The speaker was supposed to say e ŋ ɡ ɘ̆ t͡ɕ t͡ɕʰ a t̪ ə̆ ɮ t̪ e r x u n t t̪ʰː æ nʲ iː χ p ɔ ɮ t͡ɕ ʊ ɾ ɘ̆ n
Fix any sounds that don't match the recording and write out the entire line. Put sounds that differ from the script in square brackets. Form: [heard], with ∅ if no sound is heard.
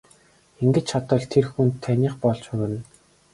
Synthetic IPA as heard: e ŋ ɡ ɘ̆ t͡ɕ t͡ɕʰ a t̪ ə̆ ɮ [t̪ʰ] e r x u n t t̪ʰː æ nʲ iː χ p ɔ ɮ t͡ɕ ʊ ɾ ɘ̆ n

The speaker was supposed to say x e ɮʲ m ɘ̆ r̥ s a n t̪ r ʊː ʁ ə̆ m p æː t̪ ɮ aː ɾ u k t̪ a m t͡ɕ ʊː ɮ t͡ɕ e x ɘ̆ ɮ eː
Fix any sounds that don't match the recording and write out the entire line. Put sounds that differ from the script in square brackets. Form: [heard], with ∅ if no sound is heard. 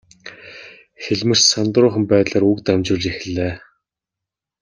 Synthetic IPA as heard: x e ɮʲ m ɘ̆ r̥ s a n t̪ r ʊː [χ] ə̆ m p æː t̪ ɮ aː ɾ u k t̪ a m t͡ɕ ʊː ɮ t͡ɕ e x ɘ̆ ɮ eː

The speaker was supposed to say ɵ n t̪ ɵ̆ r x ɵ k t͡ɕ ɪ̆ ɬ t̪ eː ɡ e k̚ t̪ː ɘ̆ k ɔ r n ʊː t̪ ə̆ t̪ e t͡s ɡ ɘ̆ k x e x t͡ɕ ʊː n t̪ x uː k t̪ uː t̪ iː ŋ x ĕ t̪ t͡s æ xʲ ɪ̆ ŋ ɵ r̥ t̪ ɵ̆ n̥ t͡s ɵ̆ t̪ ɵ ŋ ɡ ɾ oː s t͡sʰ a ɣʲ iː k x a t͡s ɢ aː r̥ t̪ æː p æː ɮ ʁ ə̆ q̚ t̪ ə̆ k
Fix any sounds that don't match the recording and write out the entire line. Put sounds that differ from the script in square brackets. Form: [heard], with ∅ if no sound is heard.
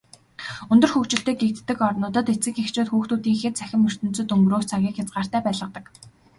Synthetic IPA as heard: ɵ n t̪ ɵ̆ r x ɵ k t͡ɕ ɪ̆ ɬ t̪ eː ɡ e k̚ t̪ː ɘ̆ k ɔ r n ʊː t̪ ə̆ t̪ e t͡s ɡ ɘ̆ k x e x t͡ɕ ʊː [∅] t̪ x uː [x] t̪ uː t̪ iː ŋ x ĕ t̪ t͡s æ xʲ ɪ̆ [m] ɵ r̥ t̪ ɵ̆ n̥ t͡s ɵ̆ t̪ ɵ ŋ ɡ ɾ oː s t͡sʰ a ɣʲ iː k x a t͡s ɢ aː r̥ t̪ æː p æː ɮ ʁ ə̆ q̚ t̪ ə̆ k

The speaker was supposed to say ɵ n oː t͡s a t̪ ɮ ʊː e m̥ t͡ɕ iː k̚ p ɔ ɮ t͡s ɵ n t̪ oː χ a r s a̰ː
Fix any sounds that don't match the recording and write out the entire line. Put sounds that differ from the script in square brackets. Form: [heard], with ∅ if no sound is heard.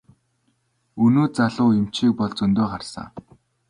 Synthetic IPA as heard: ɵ n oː t͡s a [∅] ɮ ʊː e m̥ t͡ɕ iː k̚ p ɔ ɮ t͡s ɵ n t̪ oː χ a r s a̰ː

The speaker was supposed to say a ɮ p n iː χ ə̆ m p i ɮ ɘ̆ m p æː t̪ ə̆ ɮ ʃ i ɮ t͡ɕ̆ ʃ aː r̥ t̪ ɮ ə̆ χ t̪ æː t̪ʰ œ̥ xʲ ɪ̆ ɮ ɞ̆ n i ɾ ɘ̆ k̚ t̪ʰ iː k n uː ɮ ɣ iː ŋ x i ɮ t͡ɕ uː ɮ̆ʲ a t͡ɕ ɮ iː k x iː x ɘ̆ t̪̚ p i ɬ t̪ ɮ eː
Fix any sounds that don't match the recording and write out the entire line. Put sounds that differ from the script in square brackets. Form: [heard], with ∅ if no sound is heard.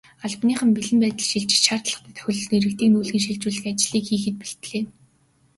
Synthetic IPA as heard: a ɮ p n iː χ ə̆ m p i ɮ ɘ̆ m p æː t̪ ə̆ ɮ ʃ i ɮ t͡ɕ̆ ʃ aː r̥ t̪ ɮ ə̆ χ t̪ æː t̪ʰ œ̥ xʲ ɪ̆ ɮ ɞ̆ n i ɾ ɘ̆ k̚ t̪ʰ iː k n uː ɮ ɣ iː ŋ [ʃ] i ɮ t͡ɕ uː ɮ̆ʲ a t͡ɕ ɮ iː k x iː x ɘ̆ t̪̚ p i ɬ t̪ ɮ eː

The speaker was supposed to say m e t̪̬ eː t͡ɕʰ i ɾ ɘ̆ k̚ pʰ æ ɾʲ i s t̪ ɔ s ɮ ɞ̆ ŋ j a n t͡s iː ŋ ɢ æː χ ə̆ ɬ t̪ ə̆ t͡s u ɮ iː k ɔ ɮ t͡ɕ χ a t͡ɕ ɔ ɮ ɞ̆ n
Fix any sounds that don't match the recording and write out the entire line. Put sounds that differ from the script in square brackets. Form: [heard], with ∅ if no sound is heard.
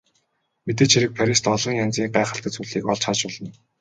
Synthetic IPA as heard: m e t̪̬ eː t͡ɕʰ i ɾ ɘ̆ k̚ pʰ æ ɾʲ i s t̪ ɔ [∅] ɮ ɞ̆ ŋ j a n t͡s iː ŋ ɢ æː χ ə̆ ɬ t̪ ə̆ t͡s u ɮ iː k ɔ ɮ t͡ɕ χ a t͡ɕ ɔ ɮ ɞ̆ n

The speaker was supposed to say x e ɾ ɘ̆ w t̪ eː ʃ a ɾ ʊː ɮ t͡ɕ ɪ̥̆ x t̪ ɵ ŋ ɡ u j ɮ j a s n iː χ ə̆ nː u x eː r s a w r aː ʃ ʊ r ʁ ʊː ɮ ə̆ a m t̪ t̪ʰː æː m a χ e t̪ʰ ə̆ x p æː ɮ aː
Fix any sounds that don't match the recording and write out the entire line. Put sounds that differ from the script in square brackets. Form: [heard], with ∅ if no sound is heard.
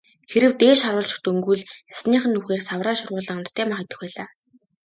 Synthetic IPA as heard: x e ɾ ɘ̆ w t̪ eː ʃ a ɾ ʊː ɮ t͡ɕ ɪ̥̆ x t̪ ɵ ŋ ɡ u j ɮ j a s n iː χ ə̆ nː u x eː r s a w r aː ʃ ʊ r ʁ ʊː ɮ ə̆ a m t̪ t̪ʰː æː m a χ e [t̪] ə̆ x p æː ɮ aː

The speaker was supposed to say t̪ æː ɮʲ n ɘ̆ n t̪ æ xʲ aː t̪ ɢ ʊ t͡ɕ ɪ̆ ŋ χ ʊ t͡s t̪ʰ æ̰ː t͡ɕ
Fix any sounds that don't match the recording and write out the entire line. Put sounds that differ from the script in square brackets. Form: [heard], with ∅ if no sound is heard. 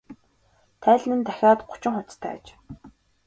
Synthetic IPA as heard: [t̪ʰ] æː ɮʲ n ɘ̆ n t̪ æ xʲ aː t̪ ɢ ʊ t͡ɕ ɪ̆ ŋ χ ʊ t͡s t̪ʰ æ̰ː t͡ɕ

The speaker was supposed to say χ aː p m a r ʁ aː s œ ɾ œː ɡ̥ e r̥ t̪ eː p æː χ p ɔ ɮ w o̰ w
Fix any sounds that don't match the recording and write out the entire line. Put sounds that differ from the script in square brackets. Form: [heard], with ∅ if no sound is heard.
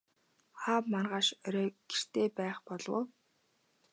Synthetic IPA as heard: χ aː p m a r ʁ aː [ʃ] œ ɾ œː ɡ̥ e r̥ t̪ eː p æː χ p ɔ ɮ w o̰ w

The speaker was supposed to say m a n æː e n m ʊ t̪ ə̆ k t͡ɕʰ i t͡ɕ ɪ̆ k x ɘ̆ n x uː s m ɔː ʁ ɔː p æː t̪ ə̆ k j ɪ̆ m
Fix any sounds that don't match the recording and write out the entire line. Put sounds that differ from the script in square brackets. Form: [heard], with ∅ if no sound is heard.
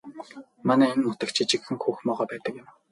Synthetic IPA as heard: m a n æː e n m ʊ t̪ ə̆ k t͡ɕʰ i t͡ɕ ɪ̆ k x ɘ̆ [ŋ] x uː [x] m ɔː ʁ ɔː p æː t̪ ə̆ k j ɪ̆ m

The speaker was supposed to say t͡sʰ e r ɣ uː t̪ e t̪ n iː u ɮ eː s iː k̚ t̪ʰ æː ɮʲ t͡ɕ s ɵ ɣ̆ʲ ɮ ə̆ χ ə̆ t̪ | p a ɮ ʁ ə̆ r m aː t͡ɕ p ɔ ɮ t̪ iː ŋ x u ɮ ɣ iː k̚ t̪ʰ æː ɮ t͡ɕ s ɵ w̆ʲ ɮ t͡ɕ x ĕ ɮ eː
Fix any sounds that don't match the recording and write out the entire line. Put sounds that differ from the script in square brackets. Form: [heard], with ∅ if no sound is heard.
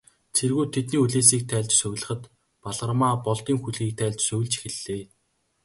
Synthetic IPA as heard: t͡sʰ e r ɣ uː [t̪ʰ] e t̪ n iː u ɮ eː s iː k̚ t̪ʰ æː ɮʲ t͡ɕ s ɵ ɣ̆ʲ ɮ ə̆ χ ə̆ t̪ | p a ɮ ʁ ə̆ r m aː [∅] p ɔ ɮ t̪ iː ŋ x u ɮ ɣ iː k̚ t̪ʰ æː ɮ t͡ɕ s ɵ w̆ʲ ɮ t͡ɕ x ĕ ɮ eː

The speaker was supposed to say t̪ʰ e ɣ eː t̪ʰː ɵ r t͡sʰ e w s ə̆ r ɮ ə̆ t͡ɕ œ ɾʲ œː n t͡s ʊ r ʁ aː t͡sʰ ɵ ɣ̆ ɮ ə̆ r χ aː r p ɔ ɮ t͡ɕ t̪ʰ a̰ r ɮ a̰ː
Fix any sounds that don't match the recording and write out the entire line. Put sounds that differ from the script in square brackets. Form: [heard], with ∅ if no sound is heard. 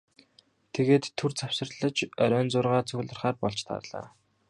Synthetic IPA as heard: t̪ʰ e ɣ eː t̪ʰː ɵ r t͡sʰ [a] w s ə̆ r ɮ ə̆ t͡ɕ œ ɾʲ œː n t͡s ʊ r ʁ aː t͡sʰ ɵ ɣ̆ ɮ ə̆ r χ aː r p ɔ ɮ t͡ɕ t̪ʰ a̰ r ɮ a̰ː

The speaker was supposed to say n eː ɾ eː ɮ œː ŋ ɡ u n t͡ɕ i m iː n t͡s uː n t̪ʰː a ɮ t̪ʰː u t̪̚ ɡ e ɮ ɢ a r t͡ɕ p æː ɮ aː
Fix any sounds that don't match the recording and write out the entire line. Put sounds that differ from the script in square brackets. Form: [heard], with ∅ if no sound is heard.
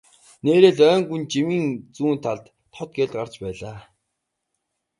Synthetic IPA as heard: n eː ɾ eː ɮ œː ŋ ɡ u n t͡ɕ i m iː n t͡s uː n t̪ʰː a ɮ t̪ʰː [ɔ] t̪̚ ɡ e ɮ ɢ a r t͡ɕ p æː ɮ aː

